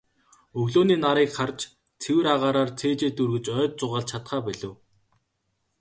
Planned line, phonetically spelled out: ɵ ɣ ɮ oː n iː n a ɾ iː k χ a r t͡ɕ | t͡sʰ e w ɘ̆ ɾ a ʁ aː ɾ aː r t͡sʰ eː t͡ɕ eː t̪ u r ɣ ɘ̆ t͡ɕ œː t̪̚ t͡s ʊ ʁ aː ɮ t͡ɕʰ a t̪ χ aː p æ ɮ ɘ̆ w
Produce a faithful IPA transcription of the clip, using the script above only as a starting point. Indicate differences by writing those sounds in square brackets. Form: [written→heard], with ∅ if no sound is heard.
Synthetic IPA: ɵ ɣ ɮ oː n iː n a ɾ iː k χ a r t͡ɕ | t͡sʰ e w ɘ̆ ɾ a ʁ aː ɾ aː r t͡sʰ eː t͡ɕ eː t̪ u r ɣ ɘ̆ t͡ɕ œː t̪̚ t͡s ʊ ʁ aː ɮ t͡ɕʰ a t̪ χ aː p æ ɮ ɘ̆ w